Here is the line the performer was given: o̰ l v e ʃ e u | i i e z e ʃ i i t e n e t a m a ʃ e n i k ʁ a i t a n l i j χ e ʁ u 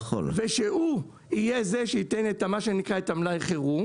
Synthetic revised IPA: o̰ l v e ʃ e u | i j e z e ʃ e i t e n e t a m a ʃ e n i k ʁ a e t a m l a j χ e ʁ u

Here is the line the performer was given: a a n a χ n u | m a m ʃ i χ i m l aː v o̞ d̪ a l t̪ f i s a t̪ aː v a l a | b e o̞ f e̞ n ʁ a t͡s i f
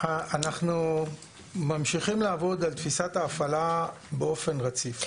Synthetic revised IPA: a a n a χ n u | m a m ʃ i χ i m l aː v o̞ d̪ a l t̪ f i s a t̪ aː f a l a | b e o̞ f e̞ n ʁ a t͡s i f

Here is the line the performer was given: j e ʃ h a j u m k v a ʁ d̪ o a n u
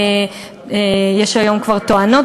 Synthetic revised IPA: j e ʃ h a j o m k v a ʁ t̪ o a n o

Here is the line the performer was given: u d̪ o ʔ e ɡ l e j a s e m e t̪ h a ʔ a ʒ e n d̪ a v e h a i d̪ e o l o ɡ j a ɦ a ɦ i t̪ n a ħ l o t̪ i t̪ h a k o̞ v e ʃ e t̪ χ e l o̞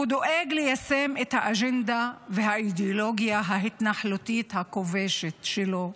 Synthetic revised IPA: u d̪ o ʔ e ɡ l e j a s e m e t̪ h a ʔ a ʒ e n d̪ a v e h a i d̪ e o l o ɡ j a ɦ a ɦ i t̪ n a ħ l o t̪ i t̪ h a k o̞ v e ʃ e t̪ ʃ e l o̞

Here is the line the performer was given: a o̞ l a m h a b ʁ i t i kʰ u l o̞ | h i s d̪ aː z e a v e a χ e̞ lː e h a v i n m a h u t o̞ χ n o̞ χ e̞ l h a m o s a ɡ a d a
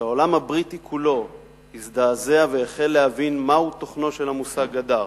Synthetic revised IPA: a o̞ l a m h a b ʁ i t i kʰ u l o̞ | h i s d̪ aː z e a v e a χ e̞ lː e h a v i n m a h u t o̞ χ n o̞ ʃ e̞ l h a m u s a ɡ a d a

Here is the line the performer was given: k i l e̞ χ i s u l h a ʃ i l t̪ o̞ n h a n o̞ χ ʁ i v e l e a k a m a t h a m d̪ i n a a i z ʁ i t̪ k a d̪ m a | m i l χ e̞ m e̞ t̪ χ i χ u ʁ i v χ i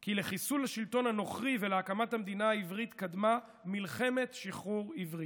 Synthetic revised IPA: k i l e̞ χ i s u l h a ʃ i l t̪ o̞ n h a n o̞ χ ʁ i v e l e a k a m a t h a m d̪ i n a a i v ʁ i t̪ k a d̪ m a | m i l χ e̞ m e̞ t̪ ʃ i χ u ʁ i v ʁ i

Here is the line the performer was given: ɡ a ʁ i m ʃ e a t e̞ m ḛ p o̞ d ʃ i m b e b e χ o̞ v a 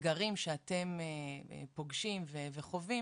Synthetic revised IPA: ɡ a ʁ i m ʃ e a t e̞ m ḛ p o̞ ɡ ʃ i m v e v e χ o̞ v i

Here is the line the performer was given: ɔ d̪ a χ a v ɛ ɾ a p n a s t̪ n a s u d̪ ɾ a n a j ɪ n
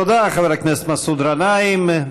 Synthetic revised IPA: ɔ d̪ a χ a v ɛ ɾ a k n ɛ s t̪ m a s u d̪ ɾ a n a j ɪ m

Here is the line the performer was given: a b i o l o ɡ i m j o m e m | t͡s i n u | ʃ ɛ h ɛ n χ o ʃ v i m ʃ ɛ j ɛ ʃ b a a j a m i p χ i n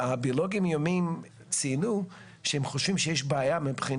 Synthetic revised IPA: a b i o l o ɡ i m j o m i m | t͡s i n u | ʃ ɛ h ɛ m χ o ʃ v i m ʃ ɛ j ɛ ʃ b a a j a m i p χ i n

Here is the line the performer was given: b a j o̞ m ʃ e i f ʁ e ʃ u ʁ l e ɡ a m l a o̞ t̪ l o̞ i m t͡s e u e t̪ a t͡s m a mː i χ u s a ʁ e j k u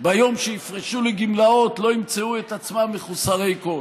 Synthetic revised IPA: b a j o̞ m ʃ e i f ʁ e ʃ u l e ɡ i m l a o̞ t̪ l o̞ i m t͡s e u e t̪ a t͡s m a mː e χ u s a ʁ e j k o

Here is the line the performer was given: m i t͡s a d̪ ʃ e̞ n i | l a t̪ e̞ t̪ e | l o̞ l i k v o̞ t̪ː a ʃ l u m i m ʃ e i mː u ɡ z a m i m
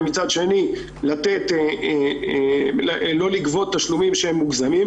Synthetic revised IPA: m i t͡s a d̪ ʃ e̞ n i | l a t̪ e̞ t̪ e | l o̞ l i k v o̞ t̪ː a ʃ l u m i m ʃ e e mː u ɡ z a m i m

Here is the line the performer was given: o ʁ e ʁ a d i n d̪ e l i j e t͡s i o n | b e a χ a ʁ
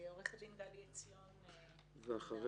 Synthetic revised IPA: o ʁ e χ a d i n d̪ a l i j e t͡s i o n | v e a χ a ʁ

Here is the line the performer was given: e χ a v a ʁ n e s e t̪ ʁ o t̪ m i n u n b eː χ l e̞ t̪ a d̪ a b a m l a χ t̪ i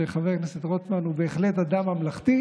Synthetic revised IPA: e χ a v e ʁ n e s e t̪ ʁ o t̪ m a n u b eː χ l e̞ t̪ a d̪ a m a m l a χ t̪ i

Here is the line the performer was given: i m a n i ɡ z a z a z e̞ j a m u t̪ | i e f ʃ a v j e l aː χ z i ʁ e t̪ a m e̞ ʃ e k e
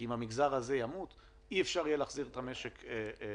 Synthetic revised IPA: i m a m i ɡ z a ʁ a z e̞ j a m u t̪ | i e f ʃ a ʁ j e l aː χ z i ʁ e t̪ a m e̞ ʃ e k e

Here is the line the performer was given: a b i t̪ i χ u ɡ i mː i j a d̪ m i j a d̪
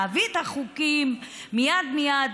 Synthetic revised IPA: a v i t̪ a χ u k i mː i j a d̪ m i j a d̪

